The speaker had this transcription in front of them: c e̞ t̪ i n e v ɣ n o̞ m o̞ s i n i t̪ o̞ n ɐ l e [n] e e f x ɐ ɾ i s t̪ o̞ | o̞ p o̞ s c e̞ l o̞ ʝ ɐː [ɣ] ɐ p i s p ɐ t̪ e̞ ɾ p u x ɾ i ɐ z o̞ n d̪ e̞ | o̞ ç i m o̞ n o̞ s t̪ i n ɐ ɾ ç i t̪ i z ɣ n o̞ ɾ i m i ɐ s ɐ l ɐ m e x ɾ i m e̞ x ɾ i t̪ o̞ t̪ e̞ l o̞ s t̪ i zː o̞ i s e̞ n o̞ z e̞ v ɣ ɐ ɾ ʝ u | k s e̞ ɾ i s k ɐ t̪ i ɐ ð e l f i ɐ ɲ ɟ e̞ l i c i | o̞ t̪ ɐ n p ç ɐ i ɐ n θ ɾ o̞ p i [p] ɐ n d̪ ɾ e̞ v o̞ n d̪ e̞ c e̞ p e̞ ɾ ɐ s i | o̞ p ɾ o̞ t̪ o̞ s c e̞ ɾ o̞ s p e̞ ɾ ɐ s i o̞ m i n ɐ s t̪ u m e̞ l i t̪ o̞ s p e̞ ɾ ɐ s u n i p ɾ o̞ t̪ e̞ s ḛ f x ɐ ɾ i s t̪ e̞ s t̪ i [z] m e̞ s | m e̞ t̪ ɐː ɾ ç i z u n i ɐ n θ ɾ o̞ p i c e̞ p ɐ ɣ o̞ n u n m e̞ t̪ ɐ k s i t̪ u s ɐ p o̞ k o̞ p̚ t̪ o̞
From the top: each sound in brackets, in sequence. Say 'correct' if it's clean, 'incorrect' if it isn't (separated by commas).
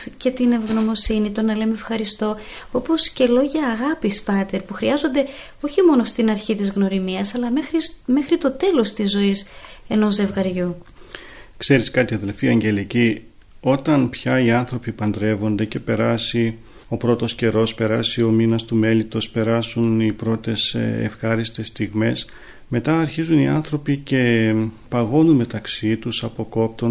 incorrect, correct, correct, incorrect